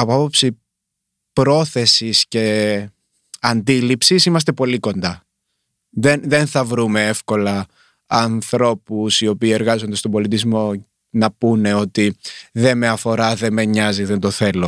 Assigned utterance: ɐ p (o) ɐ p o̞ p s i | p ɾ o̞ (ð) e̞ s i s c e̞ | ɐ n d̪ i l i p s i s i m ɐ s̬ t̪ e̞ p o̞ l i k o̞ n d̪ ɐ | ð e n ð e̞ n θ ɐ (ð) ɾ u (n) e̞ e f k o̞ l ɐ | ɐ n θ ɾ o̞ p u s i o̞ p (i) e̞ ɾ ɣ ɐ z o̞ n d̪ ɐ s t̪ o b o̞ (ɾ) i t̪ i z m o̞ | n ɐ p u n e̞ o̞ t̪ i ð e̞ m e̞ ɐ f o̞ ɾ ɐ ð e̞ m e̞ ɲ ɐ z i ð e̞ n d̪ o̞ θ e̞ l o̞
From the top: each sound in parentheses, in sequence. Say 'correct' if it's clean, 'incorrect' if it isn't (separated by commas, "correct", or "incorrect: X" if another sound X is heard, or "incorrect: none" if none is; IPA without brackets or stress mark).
correct, incorrect: θ, incorrect: v, incorrect: m, incorrect: iː, incorrect: l